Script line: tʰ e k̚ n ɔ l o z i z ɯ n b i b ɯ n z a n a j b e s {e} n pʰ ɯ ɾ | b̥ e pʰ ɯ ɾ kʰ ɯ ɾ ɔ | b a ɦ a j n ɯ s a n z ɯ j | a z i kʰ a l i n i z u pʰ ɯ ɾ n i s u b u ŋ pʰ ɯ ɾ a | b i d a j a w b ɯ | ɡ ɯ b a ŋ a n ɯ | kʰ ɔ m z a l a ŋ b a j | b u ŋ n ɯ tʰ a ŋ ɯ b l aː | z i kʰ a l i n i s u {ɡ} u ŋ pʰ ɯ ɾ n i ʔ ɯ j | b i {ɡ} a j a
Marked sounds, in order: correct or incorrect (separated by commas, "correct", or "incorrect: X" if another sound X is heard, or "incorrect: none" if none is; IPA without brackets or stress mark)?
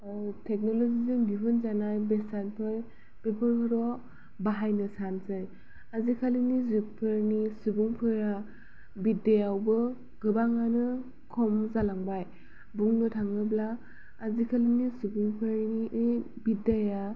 incorrect: a, incorrect: b, incorrect: d